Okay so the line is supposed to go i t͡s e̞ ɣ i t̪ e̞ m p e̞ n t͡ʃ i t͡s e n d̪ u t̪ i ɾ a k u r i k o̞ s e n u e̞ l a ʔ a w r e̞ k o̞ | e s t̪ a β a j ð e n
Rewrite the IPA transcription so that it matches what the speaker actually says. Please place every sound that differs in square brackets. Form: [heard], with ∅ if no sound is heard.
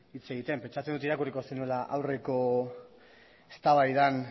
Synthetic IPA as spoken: i t͡s e̞ ɣ i t̪ e̞ m p e̞ n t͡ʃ [a] t͡s e n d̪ u t̪ i ɾ a k u r i k o̞ s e n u e̞ l a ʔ a w r e̞ k o̞ | e s t̪ a β a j ð [a] n